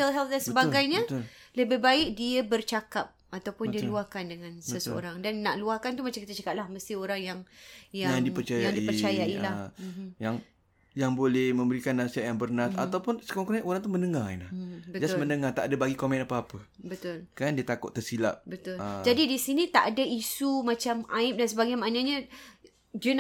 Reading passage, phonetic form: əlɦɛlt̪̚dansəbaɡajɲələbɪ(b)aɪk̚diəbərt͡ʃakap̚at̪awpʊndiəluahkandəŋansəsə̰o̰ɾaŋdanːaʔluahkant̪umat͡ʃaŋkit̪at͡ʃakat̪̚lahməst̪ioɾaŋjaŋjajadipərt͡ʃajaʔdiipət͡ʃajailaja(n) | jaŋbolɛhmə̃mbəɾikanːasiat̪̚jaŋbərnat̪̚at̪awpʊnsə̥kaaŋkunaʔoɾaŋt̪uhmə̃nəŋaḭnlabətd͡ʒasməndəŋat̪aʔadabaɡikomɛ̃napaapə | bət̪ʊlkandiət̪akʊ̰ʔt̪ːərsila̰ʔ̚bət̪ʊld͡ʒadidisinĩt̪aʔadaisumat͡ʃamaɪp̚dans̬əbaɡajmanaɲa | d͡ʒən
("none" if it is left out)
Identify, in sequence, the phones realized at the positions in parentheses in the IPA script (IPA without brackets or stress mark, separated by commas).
b, ŋ